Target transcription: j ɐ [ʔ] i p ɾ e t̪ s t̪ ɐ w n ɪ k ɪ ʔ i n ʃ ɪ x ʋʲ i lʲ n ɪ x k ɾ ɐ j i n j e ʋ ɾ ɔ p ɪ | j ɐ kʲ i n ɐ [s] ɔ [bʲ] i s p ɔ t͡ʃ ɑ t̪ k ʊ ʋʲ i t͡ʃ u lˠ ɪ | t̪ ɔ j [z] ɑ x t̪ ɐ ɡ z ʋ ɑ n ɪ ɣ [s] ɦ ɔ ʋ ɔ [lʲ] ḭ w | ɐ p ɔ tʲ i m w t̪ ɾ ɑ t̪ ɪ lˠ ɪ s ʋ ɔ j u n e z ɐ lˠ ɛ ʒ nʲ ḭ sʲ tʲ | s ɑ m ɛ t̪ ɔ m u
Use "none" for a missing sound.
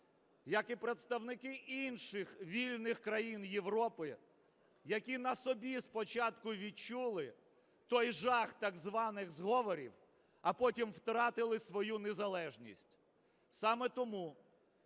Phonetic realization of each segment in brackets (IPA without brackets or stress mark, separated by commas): k, s, bʲ, ʒ, z, ɾʲ